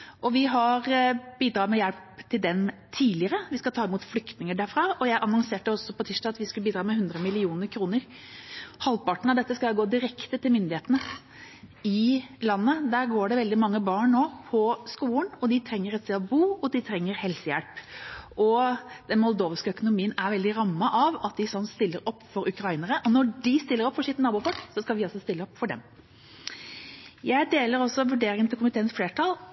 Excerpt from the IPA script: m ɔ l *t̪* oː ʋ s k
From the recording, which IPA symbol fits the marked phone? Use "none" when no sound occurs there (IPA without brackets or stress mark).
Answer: d̪